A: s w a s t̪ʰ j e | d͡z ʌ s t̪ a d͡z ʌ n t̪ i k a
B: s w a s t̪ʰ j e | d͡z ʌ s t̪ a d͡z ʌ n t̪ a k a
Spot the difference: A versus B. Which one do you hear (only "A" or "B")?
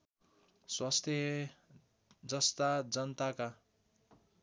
B